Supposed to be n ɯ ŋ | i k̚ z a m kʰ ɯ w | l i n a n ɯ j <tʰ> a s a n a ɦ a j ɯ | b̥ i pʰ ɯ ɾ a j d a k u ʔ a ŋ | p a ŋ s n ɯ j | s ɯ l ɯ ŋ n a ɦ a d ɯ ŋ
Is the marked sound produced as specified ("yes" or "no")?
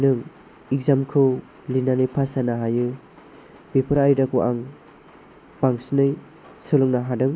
no